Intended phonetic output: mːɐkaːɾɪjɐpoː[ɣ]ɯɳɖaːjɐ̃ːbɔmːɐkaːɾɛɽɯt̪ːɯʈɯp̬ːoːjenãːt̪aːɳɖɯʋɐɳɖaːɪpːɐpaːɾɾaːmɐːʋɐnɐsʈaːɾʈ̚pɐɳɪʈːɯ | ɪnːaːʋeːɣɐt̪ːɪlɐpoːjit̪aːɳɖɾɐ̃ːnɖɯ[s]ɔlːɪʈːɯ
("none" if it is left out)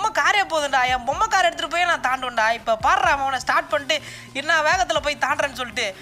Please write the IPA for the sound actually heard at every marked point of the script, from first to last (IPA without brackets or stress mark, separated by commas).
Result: ð, s